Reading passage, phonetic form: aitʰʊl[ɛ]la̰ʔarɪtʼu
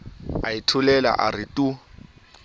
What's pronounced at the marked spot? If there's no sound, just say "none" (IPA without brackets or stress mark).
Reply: ɛ